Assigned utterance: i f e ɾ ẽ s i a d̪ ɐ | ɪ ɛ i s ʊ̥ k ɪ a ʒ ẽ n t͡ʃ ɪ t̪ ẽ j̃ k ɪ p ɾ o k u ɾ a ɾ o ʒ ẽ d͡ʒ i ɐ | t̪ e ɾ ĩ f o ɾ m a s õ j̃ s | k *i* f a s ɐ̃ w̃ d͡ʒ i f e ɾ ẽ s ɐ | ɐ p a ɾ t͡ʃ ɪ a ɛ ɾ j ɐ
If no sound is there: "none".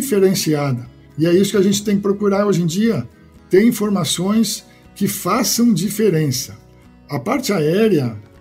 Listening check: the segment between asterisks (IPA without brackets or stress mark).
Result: ɪ